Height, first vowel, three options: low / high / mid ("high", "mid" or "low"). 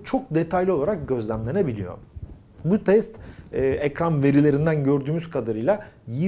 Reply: mid